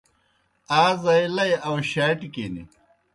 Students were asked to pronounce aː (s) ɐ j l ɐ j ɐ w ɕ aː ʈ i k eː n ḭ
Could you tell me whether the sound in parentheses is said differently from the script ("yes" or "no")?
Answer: yes